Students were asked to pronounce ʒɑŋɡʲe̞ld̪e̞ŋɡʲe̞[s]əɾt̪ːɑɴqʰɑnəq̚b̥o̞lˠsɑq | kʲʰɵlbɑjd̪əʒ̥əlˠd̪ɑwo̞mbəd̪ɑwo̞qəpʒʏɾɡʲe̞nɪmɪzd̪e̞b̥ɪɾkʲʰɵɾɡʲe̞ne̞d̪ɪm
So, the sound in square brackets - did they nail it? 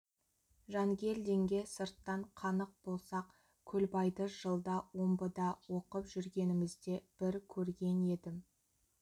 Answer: yes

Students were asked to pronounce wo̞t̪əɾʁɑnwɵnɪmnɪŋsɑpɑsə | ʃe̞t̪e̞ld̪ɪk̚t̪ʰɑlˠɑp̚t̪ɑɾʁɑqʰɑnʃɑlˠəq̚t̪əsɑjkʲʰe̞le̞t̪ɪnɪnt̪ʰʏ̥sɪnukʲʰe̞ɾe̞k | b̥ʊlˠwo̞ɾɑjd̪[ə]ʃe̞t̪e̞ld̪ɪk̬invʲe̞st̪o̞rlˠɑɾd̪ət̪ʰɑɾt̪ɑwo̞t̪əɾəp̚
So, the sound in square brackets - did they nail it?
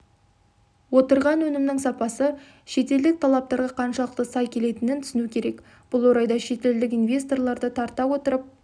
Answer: no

